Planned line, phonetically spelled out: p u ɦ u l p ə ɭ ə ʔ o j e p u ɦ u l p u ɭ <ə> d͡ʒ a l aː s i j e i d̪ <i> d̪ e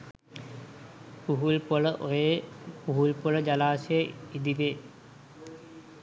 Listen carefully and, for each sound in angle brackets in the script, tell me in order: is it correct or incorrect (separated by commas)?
correct, correct